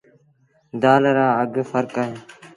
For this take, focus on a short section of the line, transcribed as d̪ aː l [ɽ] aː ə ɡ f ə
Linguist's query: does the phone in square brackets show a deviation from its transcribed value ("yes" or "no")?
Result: yes